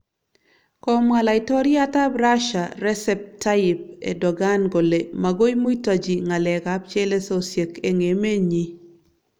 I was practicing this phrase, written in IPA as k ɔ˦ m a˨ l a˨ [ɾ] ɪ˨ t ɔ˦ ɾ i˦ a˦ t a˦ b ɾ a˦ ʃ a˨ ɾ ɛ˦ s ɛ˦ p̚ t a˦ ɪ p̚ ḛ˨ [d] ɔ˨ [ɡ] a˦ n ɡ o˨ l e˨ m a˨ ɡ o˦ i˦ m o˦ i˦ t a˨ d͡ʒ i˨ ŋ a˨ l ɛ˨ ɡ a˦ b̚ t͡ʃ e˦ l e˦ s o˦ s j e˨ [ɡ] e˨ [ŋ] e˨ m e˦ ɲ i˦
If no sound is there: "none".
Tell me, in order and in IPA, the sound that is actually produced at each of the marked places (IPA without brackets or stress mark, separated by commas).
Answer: none, d, ɡ, k, ŋ